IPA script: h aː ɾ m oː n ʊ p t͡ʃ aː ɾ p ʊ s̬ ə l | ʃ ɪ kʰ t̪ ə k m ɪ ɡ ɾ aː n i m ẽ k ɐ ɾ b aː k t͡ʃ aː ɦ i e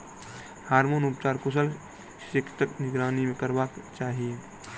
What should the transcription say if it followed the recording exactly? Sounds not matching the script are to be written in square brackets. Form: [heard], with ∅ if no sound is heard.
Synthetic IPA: h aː ɾ m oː n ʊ p t͡ʃ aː ɾ [k] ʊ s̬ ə l | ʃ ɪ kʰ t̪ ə k [n] ɪ ɡ ɾ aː n i m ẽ k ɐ ɾ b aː k t͡ʃ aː ɦ i e